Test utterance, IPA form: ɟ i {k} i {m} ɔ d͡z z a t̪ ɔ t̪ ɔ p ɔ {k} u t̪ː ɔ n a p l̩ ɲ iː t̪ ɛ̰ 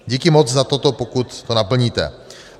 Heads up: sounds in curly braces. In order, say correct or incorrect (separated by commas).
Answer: correct, correct, correct